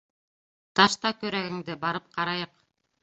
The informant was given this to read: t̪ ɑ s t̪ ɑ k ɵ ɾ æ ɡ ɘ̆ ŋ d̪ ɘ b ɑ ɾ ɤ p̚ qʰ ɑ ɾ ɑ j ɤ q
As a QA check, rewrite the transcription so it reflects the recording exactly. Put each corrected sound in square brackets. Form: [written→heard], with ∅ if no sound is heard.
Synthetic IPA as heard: t̪ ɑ [s→ʃ] t̪ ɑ k ɵ ɾ æ ɡ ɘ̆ ŋ d̪ ɘ b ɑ ɾ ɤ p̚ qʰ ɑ ɾ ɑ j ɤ q